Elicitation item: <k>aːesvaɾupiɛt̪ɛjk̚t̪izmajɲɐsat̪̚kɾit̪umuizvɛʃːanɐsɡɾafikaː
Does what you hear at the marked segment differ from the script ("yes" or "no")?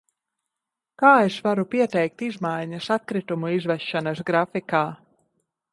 no